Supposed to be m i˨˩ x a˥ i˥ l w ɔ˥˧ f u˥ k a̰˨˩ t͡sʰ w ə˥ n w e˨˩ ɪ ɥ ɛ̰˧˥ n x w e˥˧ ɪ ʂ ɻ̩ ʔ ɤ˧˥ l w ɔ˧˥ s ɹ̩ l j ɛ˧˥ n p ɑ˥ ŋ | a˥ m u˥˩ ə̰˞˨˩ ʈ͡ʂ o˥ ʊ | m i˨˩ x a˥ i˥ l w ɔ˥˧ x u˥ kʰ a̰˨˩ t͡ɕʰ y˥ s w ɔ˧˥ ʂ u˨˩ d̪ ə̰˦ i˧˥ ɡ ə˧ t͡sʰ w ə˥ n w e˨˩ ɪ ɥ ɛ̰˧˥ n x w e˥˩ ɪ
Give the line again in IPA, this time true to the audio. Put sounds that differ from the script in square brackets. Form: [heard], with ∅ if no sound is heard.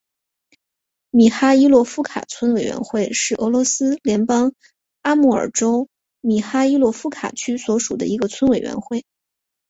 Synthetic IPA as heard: m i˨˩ x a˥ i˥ l w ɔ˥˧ f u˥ [kʰ] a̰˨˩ t͡sʰ w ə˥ n w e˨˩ ɪ ɥ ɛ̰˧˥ n x w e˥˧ ɪ ʂ ɻ̩ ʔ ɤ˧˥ l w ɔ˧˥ s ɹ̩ l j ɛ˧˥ n p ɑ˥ ŋ | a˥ m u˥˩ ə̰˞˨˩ ʈ͡ʂ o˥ ʊ | m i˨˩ x a˥ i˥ l w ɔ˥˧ [f] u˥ kʰ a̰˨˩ t͡ɕʰ y˥ s w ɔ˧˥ ʂ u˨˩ d̪ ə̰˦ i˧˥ ɡ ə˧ t͡sʰ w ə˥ n w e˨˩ ɪ ɥ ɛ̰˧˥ n x w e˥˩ ɪ